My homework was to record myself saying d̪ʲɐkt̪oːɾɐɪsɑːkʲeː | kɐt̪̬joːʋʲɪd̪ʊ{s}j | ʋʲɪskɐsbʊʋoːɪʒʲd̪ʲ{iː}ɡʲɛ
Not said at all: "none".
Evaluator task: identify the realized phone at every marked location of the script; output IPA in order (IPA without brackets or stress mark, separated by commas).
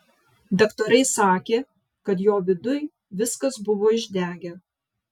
none, æː